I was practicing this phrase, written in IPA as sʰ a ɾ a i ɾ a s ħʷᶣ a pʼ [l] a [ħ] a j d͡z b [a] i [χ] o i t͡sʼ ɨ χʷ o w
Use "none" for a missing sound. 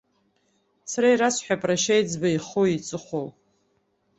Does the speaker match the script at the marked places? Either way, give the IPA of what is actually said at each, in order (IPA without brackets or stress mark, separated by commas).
r, ʃ, a, χ